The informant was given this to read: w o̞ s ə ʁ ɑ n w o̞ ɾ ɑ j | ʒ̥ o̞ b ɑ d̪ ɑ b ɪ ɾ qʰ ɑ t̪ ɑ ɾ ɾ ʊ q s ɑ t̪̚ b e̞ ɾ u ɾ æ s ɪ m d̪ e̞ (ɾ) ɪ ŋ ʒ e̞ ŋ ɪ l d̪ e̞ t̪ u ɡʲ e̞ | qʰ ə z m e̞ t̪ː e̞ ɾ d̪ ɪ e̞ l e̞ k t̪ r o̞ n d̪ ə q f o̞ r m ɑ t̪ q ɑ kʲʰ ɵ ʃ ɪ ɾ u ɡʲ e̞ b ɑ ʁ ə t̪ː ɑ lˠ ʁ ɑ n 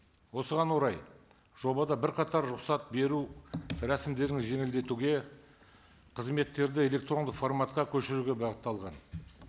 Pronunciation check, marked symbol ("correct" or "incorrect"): correct